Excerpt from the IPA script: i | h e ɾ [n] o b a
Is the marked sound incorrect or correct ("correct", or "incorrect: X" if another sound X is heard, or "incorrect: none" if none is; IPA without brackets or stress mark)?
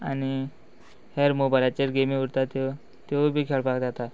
incorrect: m